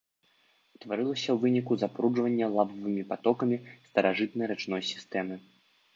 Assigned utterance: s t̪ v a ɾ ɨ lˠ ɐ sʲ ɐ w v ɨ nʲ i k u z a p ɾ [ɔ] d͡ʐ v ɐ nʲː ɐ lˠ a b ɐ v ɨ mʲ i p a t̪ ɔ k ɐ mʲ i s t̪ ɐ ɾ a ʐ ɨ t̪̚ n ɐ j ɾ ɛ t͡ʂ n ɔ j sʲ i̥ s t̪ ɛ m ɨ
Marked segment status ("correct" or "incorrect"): incorrect